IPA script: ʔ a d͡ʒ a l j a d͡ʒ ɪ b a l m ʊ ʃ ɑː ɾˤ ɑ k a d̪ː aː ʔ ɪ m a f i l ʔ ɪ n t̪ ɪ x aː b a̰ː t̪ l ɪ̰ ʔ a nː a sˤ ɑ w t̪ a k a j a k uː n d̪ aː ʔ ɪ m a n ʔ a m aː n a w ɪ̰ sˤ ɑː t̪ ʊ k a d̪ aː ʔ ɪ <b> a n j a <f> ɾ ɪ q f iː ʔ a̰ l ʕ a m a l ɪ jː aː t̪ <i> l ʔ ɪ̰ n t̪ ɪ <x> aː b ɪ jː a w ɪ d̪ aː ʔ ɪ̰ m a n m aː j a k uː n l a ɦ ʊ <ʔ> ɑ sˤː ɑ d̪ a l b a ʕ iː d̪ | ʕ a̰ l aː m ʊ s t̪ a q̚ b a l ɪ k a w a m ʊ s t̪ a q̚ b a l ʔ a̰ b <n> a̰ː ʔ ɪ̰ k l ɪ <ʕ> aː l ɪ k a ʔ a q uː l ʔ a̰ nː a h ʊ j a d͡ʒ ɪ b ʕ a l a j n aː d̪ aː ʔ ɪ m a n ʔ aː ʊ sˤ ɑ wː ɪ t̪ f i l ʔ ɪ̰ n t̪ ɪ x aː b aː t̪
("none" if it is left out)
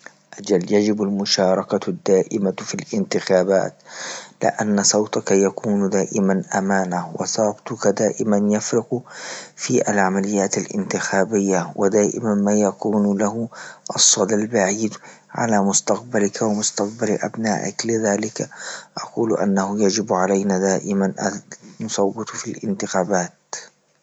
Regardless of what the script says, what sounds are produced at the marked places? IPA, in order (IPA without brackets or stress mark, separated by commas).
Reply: m, f, a, x, ʔ, n, ð